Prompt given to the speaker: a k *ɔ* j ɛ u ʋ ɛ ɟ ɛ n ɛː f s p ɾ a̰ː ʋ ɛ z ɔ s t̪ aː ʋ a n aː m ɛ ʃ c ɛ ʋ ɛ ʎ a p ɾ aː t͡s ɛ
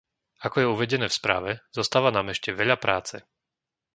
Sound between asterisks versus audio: correct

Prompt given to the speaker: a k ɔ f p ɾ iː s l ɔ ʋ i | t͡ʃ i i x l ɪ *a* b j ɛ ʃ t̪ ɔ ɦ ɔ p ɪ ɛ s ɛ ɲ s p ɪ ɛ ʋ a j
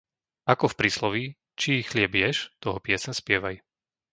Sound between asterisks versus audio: incorrect: ɛ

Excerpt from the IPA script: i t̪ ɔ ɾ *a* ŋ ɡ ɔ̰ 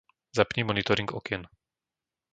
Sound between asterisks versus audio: incorrect: i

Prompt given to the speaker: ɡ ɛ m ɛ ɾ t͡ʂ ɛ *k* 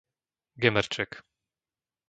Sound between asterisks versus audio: correct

